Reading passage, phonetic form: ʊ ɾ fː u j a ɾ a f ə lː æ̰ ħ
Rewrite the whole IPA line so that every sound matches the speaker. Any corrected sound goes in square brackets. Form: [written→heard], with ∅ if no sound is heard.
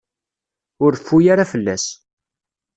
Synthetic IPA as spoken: ʊ ɾ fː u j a ɾ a f ə lː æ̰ [ħ→s]